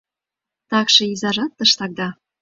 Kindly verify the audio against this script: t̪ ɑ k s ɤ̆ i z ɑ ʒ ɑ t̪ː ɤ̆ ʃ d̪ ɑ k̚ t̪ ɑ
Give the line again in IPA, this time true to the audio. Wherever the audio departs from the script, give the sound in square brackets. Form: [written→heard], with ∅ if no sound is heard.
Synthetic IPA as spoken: t̪ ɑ k [s→ʃ] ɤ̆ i z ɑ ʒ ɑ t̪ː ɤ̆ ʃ [d̪→t̪] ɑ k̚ [t̪→d̪] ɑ